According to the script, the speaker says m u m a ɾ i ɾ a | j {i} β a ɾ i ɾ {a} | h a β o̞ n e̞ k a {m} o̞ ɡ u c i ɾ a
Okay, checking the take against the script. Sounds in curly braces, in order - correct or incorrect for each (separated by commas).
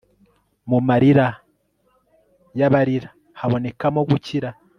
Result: incorrect, correct, correct